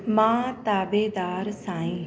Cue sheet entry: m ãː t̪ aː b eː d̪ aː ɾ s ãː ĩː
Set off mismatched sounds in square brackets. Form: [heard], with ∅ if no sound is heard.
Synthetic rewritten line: m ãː t̪ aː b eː d̪ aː ɾ s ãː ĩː